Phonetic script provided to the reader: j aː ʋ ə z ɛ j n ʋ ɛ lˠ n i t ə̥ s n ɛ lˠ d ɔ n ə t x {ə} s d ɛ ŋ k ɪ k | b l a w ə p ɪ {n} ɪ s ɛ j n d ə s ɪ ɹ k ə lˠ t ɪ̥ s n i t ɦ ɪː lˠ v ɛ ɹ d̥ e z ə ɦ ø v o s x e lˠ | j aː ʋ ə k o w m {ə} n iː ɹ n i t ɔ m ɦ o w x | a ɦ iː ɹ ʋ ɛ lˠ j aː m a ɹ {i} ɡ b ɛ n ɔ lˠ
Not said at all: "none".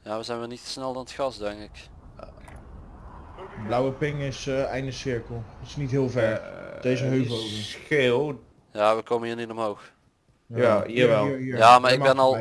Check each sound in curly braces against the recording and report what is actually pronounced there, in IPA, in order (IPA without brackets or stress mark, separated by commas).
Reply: ɑ, ŋ, ə, ɪ